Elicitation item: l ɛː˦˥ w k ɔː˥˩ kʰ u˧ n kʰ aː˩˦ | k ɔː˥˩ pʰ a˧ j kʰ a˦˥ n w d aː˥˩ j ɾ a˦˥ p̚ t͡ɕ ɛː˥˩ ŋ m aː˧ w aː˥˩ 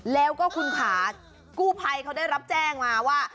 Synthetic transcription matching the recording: l ɛː˦˥ w k ɔː˥˩ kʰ u˧ n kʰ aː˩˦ | k uː˥˩ pʰ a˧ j kʰ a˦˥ w d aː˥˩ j ɾ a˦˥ p̚ t͡ɕ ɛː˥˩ ŋ m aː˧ w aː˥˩